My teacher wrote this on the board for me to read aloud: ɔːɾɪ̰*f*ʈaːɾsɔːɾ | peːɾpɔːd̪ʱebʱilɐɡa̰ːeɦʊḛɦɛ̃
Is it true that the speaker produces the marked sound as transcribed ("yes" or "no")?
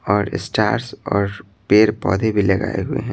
no